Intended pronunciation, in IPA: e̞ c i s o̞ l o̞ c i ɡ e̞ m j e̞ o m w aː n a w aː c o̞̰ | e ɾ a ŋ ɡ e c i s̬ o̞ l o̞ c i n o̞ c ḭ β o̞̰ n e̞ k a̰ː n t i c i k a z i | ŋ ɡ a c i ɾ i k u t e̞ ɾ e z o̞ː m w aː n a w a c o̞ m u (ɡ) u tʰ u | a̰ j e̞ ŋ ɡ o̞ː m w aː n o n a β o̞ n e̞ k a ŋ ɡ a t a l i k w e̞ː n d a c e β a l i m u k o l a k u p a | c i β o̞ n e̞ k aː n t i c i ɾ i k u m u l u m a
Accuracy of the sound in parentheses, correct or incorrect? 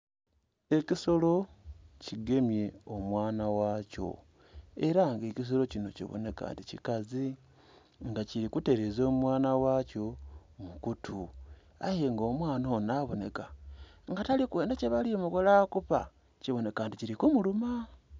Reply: incorrect